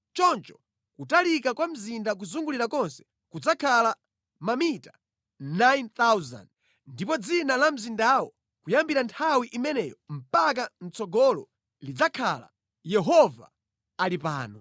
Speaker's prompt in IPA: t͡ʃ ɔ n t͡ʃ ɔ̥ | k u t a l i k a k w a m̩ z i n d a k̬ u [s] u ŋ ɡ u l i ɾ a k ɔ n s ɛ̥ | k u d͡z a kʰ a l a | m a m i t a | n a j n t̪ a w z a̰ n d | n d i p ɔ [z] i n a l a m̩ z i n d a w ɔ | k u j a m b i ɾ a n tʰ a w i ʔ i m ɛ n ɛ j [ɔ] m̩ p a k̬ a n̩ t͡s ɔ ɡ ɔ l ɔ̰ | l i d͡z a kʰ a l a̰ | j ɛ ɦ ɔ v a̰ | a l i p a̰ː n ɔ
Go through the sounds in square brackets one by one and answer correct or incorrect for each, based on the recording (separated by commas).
incorrect, incorrect, correct